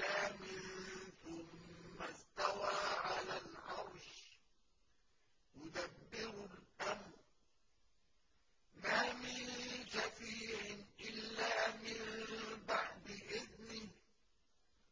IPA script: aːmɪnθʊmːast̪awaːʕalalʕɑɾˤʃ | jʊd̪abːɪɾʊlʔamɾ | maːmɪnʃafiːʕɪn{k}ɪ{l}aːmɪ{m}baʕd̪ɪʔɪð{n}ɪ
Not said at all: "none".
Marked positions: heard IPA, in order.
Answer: ʔ, lː, n, n

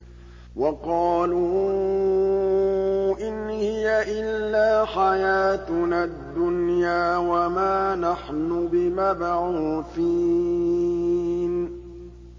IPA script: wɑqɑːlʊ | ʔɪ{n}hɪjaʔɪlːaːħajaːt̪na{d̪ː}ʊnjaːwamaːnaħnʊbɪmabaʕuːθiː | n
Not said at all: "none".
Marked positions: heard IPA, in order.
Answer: n, d̪ː

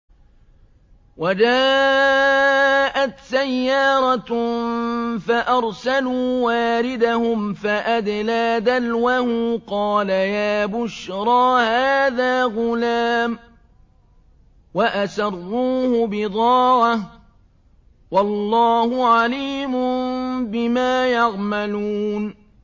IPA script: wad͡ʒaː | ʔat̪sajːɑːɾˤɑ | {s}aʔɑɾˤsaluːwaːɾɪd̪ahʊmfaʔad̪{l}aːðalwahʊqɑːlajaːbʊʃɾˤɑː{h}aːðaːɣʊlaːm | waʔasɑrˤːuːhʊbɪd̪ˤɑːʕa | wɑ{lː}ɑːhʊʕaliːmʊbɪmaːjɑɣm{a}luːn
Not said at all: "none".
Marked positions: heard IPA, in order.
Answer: f, l, h, lː, a

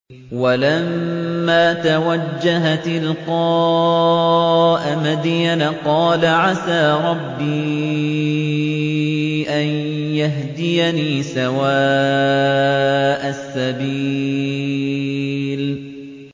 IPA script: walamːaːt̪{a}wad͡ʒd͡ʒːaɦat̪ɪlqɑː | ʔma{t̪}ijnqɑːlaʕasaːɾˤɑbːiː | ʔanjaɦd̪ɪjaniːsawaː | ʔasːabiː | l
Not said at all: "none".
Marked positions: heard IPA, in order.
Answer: a, d̪

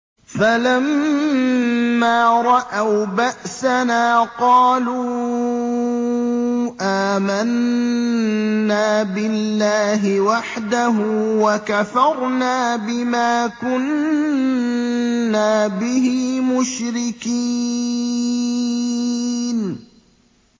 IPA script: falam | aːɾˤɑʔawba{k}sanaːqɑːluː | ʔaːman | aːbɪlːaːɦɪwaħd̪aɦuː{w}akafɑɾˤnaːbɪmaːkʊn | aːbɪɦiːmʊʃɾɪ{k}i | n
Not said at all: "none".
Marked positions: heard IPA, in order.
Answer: ʔ, w, k

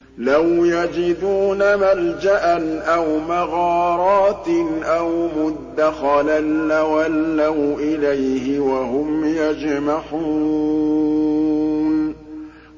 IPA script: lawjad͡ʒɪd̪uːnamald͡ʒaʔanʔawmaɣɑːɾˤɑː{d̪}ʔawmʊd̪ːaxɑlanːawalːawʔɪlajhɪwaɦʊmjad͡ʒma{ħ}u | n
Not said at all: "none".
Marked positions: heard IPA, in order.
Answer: t̪, ħ

